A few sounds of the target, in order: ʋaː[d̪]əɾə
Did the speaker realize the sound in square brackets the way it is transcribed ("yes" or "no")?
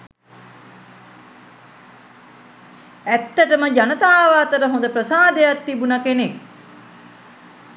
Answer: no